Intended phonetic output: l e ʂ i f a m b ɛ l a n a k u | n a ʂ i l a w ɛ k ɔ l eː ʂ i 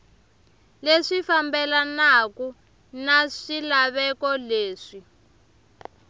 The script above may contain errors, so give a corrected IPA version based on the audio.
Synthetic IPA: l e ʂ i f a m b ɛ l a n a k u | n a ʂ i l a β ɛ k ɔ l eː ʂ i